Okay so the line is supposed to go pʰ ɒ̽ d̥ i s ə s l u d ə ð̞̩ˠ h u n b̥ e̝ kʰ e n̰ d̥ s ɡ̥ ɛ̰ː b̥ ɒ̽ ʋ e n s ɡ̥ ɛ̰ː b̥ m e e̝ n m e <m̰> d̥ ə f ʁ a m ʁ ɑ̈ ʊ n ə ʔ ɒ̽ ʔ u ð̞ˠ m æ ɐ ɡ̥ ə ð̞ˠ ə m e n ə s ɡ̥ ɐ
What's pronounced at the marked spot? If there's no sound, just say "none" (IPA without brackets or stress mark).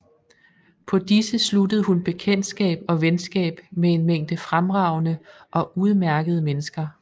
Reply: ŋ̰